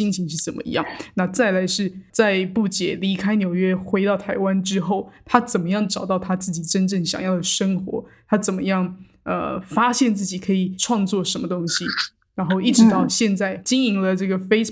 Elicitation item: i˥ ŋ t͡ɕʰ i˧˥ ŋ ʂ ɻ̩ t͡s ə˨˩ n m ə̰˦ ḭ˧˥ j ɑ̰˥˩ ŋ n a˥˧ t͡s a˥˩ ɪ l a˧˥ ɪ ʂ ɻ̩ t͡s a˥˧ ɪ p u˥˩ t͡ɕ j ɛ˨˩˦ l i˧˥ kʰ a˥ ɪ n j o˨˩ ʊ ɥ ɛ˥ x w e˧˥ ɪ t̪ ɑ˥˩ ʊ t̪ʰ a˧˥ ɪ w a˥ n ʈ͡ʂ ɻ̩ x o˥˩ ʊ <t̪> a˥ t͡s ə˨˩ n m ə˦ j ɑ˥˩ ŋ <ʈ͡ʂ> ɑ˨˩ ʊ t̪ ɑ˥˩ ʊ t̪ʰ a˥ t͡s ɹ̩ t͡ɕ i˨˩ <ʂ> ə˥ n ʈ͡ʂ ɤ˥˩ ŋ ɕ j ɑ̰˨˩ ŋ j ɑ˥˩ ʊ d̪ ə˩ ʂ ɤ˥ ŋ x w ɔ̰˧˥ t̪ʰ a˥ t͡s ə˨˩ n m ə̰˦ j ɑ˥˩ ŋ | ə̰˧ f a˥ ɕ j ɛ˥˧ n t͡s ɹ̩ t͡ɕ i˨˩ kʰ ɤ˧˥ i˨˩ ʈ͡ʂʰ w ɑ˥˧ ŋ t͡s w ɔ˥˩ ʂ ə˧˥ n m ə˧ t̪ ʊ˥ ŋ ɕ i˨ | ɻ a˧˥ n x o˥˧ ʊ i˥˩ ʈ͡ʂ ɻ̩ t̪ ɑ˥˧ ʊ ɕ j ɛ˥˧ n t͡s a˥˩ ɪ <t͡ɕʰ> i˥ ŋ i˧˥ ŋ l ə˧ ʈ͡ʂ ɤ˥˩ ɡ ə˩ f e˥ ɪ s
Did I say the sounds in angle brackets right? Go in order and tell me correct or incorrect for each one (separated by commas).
incorrect, correct, incorrect, incorrect